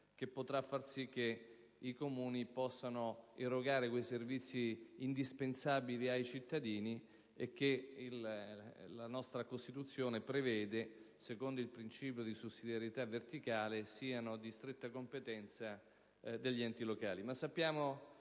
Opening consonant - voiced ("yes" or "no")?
no